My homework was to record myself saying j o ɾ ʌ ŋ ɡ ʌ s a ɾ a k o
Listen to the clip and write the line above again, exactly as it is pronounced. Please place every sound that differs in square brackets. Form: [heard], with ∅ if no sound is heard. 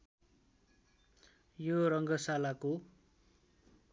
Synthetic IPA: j o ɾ ʌ ŋ ɡ ʌ s a [l] a k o